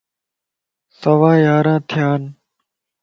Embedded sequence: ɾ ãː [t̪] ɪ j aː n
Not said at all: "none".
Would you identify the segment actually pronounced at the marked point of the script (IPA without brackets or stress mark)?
t̪ʰ